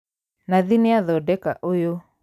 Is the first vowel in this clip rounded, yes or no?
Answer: no